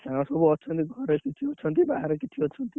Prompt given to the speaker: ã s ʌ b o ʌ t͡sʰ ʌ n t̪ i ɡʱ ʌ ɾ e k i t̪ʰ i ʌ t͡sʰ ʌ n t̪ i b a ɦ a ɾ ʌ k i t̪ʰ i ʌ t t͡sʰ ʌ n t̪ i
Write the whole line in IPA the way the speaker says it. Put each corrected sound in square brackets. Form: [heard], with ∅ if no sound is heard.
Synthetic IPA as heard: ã s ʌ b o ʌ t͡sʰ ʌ n t̪ i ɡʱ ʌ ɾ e k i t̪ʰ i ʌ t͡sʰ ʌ n t̪ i b a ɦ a ɾ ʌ k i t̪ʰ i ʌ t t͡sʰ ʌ n t̪ i

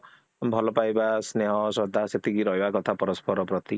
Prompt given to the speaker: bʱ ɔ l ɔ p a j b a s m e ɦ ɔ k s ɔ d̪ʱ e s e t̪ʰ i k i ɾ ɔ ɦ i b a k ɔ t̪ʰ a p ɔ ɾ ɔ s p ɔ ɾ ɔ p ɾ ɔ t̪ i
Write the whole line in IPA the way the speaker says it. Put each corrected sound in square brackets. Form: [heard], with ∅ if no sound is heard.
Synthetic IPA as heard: bʱ ɔ l ɔ p a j b a s [n] e ɦ ɔ [∅] s ɔ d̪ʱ [a] s e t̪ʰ i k i ɾ ɔ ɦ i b a k ɔ t̪ʰ a p ɔ ɾ ɔ s p ɔ ɾ ɔ p ɾ ɔ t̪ i

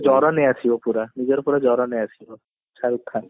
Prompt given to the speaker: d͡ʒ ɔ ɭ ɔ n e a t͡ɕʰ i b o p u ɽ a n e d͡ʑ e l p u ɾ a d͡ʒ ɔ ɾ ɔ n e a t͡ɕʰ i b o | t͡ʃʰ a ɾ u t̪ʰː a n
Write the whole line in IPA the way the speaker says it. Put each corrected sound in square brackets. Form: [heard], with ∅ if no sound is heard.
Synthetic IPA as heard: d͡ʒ ɔ [ɾ] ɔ n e a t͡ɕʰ i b o p u [ɾ] a n [i] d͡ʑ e [ɾ] p u ɾ a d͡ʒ ɔ ɾ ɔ n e a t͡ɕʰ i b o | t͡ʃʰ a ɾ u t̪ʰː a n

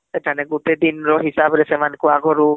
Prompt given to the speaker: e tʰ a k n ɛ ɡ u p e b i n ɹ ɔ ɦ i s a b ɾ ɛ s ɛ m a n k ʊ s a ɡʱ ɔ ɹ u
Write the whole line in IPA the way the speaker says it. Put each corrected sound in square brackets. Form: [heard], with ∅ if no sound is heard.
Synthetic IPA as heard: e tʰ a [∅] n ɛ ɡ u [t] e [d] i n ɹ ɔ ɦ i s a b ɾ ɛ s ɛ m a n k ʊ [∅] a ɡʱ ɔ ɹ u

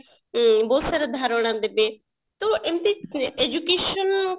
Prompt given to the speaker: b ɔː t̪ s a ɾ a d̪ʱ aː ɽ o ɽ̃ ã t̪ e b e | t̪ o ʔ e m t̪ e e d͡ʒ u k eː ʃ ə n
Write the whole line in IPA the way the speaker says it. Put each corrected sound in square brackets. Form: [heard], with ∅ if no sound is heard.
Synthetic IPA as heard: b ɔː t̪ s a ɾ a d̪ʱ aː [ɾ] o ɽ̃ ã [d̪] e b e | t̪ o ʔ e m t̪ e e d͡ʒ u k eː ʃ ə n

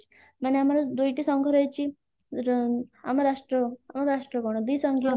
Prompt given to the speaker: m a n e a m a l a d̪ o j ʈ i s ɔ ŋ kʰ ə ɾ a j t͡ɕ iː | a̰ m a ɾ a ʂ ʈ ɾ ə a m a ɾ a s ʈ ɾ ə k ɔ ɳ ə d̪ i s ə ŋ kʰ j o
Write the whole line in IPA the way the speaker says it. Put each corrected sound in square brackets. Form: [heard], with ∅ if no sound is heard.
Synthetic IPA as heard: m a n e a m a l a d̪ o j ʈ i s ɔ ŋ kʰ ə ɾ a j t͡ɕ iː | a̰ m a ɾ a ʂ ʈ ɾ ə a m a ɾ a [ʂ] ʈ ɾ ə k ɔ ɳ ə d̪ i s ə ŋ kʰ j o

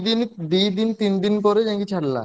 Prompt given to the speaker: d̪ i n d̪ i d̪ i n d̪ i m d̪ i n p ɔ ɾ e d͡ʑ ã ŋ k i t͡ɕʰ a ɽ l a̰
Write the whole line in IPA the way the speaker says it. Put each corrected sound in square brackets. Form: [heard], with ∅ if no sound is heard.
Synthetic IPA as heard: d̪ i n d̪ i d̪ i n [t̪] i [n] d̪ i n p ɔ ɾ e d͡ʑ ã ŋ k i t͡ɕʰ a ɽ l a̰

